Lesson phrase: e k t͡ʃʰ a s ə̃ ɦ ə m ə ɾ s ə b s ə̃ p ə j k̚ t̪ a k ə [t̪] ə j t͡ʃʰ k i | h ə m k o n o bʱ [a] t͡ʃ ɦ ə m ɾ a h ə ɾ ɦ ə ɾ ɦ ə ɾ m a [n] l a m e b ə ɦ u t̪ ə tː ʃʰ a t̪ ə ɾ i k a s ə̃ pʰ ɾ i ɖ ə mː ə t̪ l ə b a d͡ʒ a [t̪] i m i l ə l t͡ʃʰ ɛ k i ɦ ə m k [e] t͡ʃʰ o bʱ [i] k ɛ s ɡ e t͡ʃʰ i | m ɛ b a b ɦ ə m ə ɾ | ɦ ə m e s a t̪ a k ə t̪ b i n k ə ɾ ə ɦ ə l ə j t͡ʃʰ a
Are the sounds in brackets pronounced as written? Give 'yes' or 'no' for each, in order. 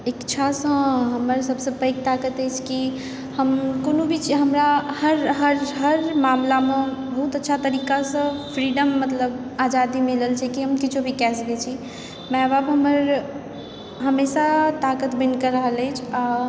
yes, no, no, no, no, yes

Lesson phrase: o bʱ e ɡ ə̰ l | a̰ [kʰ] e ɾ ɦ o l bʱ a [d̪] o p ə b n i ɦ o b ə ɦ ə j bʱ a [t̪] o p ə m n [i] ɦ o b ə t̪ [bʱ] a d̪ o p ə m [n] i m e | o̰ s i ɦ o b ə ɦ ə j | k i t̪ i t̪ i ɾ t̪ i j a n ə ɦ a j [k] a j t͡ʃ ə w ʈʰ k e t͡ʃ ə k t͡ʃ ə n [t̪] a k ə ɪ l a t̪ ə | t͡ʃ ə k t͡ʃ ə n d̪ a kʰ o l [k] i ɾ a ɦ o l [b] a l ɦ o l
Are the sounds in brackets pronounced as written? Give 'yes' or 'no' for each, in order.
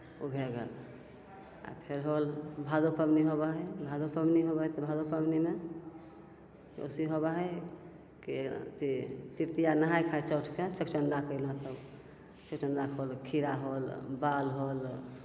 no, yes, no, yes, yes, yes, no, no, no, yes

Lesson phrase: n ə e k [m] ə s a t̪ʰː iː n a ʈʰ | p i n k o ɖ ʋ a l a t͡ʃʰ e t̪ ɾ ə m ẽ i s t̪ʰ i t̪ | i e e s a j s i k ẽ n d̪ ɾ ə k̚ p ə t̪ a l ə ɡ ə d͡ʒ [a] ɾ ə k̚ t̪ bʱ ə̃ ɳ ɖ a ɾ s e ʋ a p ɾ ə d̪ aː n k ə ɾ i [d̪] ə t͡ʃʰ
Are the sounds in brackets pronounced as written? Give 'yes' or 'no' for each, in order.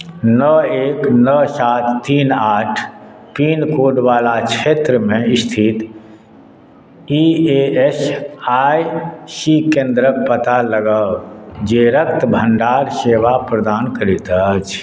no, no, no

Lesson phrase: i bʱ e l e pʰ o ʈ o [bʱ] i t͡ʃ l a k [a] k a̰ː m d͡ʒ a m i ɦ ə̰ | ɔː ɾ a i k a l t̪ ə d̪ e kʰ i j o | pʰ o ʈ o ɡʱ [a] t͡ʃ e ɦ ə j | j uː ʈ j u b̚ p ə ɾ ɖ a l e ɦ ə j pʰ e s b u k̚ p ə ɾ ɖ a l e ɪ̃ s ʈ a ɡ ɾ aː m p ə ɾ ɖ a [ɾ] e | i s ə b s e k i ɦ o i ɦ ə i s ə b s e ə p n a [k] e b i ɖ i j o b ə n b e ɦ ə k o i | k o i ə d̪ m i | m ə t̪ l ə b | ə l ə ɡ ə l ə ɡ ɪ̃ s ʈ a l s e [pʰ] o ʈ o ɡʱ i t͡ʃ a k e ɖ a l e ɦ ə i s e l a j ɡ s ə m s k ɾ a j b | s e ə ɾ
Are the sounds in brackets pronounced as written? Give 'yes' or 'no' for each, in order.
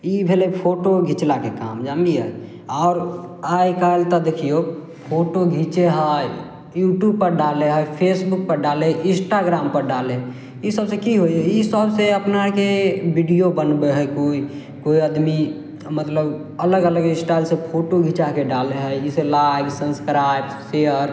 no, no, no, no, yes, yes

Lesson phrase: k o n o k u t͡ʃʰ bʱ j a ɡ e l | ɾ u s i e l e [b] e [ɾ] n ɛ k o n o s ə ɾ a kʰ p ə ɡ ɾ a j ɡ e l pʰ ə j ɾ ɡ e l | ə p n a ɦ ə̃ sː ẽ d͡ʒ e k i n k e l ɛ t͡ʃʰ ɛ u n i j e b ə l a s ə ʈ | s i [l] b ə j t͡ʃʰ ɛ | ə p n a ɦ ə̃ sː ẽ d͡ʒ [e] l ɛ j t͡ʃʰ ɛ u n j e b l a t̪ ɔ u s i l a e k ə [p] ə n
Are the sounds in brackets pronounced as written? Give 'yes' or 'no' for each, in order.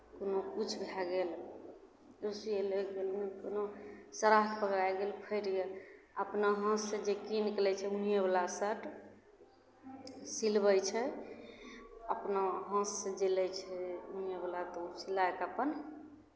no, no, yes, yes, yes

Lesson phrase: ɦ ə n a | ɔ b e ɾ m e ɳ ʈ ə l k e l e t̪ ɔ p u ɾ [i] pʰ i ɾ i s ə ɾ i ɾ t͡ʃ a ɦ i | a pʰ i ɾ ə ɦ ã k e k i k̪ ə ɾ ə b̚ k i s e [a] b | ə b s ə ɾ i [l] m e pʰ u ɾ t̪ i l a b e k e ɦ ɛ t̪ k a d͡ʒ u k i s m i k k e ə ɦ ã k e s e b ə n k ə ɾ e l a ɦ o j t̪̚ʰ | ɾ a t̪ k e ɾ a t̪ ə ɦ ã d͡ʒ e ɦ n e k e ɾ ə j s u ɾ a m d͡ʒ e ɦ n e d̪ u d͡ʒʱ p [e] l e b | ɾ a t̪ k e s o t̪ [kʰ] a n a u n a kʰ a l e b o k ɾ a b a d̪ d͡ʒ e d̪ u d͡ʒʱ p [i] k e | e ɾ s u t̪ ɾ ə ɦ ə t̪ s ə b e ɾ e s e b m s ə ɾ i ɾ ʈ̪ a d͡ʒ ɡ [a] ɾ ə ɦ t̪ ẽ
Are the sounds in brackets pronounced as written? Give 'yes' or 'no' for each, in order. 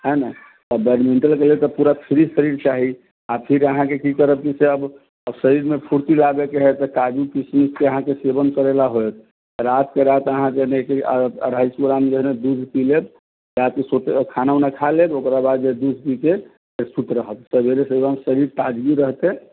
no, no, no, no, yes, yes, no

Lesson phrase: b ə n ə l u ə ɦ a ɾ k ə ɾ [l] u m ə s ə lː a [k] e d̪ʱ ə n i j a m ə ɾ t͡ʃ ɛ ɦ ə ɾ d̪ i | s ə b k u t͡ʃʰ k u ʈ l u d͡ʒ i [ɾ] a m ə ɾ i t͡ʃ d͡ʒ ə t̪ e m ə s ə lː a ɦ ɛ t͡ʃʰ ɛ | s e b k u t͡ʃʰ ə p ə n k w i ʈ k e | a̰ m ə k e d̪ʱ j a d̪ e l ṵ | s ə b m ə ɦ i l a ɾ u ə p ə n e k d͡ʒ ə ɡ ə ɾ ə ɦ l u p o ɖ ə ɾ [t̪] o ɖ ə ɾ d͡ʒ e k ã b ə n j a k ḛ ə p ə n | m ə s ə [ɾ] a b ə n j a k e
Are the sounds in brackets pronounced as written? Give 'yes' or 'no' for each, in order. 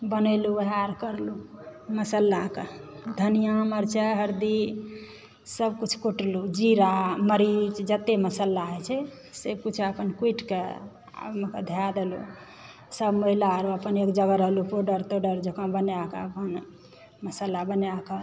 yes, yes, yes, yes, no

